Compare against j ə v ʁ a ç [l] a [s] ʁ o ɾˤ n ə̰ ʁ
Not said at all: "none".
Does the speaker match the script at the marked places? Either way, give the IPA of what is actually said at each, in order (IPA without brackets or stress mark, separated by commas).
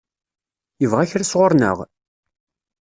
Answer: ɾ, s